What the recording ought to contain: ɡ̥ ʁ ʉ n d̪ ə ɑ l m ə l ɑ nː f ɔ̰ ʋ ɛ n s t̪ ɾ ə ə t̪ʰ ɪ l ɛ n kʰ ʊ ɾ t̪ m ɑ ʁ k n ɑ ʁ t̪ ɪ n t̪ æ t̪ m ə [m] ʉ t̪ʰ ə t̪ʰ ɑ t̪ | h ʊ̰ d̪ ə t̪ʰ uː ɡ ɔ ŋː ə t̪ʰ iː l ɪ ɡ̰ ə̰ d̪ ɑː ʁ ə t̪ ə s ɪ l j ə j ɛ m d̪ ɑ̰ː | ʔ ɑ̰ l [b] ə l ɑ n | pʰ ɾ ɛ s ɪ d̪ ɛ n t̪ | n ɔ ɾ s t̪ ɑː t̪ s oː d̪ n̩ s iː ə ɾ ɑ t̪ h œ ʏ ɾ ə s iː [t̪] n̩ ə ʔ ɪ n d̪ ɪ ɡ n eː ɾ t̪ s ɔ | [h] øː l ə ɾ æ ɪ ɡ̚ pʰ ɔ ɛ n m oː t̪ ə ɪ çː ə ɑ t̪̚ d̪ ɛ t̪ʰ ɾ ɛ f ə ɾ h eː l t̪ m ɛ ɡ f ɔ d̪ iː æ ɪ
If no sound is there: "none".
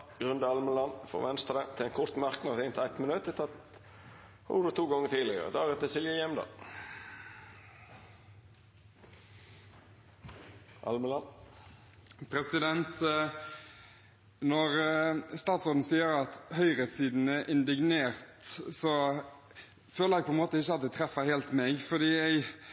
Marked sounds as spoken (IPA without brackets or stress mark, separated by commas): n, m, d̪, f